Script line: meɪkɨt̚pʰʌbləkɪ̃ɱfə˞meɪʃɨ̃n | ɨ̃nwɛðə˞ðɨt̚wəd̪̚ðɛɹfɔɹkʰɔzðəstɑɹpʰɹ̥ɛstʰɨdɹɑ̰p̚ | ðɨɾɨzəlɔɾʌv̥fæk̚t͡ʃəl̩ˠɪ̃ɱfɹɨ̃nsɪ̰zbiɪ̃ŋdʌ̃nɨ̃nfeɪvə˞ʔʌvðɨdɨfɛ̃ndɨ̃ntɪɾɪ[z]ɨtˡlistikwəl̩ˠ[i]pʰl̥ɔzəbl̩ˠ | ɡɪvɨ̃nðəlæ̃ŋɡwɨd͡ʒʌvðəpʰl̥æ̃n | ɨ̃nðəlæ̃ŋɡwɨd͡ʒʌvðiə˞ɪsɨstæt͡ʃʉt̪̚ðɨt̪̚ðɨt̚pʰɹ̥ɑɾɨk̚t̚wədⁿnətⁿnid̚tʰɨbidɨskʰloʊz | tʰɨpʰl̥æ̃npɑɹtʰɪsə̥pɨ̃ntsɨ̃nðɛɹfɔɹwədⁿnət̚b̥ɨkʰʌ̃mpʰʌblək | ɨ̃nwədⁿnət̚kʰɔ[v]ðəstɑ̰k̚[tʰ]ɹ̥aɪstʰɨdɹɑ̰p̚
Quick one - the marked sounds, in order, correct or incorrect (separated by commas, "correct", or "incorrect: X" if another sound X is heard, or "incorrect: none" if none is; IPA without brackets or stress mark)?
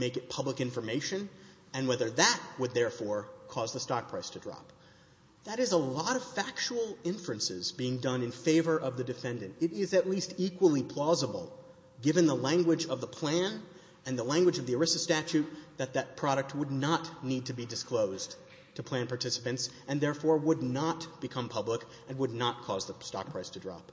correct, correct, incorrect: z, incorrect: pʰ